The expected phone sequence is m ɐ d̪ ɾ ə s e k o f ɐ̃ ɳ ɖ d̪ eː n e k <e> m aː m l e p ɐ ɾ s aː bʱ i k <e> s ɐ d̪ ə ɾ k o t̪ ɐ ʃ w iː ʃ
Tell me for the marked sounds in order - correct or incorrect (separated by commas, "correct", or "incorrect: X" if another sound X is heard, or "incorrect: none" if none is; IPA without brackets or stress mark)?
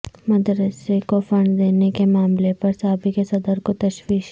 correct, correct